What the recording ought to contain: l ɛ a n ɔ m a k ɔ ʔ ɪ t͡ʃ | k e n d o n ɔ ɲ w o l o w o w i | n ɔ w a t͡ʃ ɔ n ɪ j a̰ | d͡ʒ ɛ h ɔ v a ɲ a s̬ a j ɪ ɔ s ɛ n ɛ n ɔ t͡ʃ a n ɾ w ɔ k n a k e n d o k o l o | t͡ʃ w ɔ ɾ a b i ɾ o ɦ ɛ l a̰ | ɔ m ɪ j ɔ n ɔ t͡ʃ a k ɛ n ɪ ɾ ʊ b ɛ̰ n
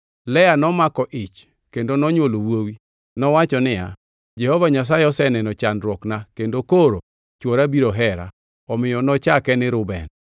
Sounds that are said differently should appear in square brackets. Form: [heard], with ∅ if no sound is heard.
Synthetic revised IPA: l ɛ a n ɔ m a k ɔ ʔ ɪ t͡ʃ | k e n d o n ɔ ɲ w o l o w o w i | n ɔ w a t͡ʃ ɔ n ɪ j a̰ | d͡ʒ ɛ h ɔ v a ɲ a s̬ a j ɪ ɔ s ɛ n ɛ n ɔ t͡ʃ a n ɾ w ɔ k n a k e n d o k o [ɾ] o | t͡ʃ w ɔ ɾ a b i ɾ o ɦ ɛ [ɾ] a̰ | ɔ m ɪ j ɔ n ɔ t͡ʃ a k ɛ n ɪ ɾ ʊ b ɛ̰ n